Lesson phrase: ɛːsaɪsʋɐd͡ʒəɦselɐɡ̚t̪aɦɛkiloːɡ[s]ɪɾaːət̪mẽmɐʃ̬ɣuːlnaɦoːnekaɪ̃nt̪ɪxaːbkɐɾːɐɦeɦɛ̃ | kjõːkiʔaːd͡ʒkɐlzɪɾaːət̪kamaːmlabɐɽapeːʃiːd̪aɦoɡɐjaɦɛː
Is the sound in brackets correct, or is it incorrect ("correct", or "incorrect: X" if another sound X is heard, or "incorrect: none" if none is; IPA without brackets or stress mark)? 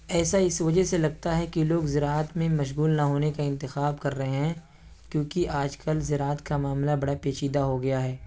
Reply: incorrect: z